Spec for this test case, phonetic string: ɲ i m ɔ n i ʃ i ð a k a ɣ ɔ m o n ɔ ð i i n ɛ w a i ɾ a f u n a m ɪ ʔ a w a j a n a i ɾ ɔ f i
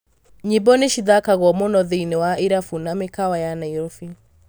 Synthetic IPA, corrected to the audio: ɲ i b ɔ n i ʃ i ð a k a ɣ ɔ m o n ɔ ð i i n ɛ w a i ɾ a f u n a m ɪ k a w a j a n a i ɾ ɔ f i

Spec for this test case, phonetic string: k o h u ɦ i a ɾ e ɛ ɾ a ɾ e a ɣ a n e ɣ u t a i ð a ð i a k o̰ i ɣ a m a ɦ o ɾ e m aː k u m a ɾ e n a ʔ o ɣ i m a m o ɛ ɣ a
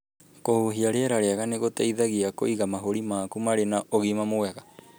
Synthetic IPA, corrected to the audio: k o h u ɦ i a ɾ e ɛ ɾ a ɾ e a ɣ a n e ɣ o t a i ð a ɣ i a k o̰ i ɣ a m a ɦ o ɾ i m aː k u m a ɾ e n a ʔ o ɣ i m a m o ɛ ɣ a

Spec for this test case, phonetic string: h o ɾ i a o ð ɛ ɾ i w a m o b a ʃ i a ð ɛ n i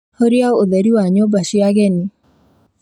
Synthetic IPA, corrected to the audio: h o ɾ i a o ð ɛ ɾ i w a ɲ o b a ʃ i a ɣ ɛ n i

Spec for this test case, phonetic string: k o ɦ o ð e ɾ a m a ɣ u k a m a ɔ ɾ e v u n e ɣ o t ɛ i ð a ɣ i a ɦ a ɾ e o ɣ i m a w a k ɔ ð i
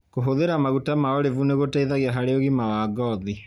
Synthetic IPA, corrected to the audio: k o ɦ o ð e ɾ a m a ɣ u t a m a ɔ ɾ e v u n e ɣ o t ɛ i ð a ɣ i a ɦ a ɾ e o ɣ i m a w a ɡ ɔ ð i

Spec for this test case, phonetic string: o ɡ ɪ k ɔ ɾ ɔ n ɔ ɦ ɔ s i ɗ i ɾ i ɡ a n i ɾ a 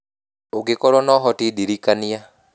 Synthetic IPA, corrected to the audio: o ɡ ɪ k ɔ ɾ ɔ n ɔ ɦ ɔ t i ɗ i ɾ i k a n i a

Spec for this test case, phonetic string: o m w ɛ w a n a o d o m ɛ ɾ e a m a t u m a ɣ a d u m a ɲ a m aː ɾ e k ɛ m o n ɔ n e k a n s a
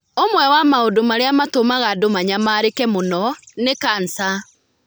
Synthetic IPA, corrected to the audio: o m w ɛ w a m a o d o m a ɾ e a m a t o m a ɣ a d o m a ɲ a m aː ɾ e k ɛ m o n ɔ n e k a n s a

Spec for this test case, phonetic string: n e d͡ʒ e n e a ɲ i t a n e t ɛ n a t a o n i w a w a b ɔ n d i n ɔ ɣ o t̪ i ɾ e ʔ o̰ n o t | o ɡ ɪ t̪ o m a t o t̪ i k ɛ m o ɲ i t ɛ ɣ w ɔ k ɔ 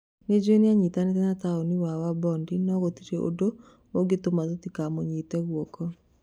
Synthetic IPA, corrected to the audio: n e d͡ʒ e n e a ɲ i t a n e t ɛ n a t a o n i w a w a b ɔ n d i n ɔ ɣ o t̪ i ɾ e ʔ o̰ d o | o ɡ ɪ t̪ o m a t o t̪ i k a m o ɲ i t ɛ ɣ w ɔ k ɔ

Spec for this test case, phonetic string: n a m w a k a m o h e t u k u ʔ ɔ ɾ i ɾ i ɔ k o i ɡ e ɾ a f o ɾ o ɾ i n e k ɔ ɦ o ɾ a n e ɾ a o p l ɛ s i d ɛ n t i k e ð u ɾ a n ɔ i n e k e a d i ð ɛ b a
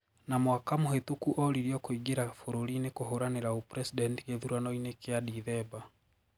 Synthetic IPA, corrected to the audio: n a m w a k a m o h e t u k u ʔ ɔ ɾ i ɾ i ɔ k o i ɡ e ɾ a f o ɾ o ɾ i n e k o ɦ o ɾ a n e ɾ a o p ɾ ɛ s i d ɛ n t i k e ð u ɾ a n ɔ i n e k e a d i ð ɛ b a

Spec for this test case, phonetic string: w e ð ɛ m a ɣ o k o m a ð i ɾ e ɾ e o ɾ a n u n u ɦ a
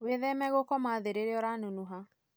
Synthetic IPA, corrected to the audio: w e ð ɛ m ɛ ɣ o k ɔ m a ð e ɾ e ɾ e ɔ ɾ a n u n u ɦ a

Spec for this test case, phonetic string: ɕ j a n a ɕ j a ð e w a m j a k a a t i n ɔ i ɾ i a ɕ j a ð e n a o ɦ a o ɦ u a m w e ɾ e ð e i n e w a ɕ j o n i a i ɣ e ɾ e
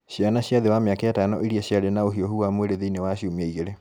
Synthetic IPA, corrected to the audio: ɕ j a n a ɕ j a ð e w a m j a k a a t a n ɔ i ɾ i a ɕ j a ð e n a o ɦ i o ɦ u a m w e ɾ e ð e i n e w a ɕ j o m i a i ɣ e ɾ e

